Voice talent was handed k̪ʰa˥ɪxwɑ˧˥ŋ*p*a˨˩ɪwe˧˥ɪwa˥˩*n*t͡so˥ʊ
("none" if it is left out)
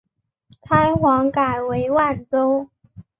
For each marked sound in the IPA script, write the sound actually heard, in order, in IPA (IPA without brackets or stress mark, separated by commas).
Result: k, n